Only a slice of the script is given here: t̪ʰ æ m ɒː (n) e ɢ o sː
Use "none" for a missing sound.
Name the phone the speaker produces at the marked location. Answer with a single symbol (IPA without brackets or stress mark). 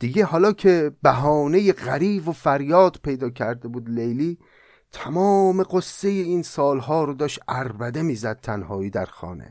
m